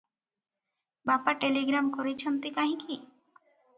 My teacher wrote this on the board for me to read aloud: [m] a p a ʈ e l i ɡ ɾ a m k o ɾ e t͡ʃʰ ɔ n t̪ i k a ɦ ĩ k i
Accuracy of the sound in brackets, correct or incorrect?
incorrect